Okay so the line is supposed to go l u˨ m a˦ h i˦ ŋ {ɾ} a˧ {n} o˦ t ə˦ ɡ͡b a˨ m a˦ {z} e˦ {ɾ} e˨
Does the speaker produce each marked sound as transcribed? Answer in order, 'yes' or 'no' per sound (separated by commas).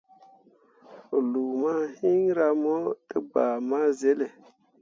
yes, no, yes, no